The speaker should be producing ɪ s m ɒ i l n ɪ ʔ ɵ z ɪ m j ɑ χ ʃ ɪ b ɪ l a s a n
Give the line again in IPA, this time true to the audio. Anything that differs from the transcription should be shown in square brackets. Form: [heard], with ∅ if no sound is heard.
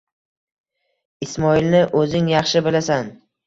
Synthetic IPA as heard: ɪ s m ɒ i l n ɪ ʔ ɵ z ɪ [ŋ] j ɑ χ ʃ ɪ b ɪ l a s a n

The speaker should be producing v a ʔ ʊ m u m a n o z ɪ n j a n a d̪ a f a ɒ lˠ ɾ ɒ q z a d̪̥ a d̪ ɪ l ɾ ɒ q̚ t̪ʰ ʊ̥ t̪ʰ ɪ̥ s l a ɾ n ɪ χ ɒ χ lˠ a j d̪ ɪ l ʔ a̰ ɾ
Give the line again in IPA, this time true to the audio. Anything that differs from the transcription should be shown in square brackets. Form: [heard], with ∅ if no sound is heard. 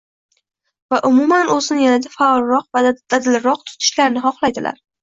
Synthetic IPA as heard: v a ʔ ʊ m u m a n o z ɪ n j a n a d̪ a f a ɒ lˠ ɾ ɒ q [v] a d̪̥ a d̪ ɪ l ɾ ɒ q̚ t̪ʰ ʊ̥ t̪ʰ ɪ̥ [ʃ] l a ɾ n ɪ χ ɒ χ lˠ a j d̪ ɪ l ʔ a̰ ɾ

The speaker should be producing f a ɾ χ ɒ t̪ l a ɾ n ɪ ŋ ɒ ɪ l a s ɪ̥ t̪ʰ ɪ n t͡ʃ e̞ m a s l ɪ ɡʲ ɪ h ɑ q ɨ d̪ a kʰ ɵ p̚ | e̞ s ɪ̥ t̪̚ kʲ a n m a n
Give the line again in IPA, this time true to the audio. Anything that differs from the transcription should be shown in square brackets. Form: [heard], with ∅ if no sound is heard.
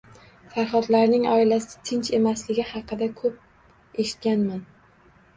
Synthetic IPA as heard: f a ɾ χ ɒ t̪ l a ɾ n ɪ ŋ ɒ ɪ l a s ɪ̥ t̪ʰ ɪ n t͡ʃ e̞ m a s l ɪ ɡʲ ɪ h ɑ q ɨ d̪ a kʰ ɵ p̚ | e̞ [ʃ] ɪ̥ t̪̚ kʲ a n m a n

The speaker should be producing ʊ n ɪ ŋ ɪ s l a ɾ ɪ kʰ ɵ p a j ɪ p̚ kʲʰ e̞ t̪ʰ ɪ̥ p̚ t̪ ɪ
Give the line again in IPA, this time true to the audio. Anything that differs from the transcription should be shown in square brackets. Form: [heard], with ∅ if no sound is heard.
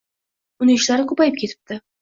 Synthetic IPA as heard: ʊ n ɪ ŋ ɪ [ʃ] l a ɾ ɪ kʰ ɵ p a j ɪ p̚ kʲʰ e̞ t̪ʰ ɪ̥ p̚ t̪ ɪ

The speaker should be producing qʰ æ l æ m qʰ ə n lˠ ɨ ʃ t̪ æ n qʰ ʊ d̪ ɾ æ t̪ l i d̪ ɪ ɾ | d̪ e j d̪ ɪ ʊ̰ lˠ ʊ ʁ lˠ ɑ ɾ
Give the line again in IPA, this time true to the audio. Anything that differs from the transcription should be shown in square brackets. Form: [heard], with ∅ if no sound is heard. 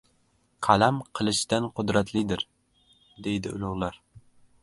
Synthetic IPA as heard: qʰ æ l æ m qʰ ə [∅] lˠ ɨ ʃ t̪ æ n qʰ ʊ d̪ ɾ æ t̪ l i d̪ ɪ ɾ | d̪ e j d̪ ɪ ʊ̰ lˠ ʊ ʁ lˠ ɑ ɾ

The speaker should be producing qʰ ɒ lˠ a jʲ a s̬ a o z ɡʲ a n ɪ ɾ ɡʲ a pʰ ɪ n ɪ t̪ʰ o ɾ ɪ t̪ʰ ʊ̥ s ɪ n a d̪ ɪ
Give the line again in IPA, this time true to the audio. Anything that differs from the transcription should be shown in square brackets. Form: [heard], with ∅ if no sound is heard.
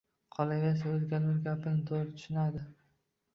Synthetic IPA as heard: qʰ ɒ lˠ a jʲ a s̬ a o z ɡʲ a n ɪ ɾ ɡʲ a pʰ ɪ n ɪ t̪ʰ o ɾ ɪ t̪ʰ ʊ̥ [ʃ] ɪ n a d̪ ɪ

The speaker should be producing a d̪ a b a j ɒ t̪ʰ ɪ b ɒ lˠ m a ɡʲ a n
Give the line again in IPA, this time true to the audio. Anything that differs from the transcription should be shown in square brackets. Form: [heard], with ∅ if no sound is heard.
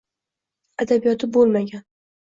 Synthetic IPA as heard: a d̪ a b [i] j ɒ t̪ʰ ɪ b [o] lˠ m a ɡʲ a n

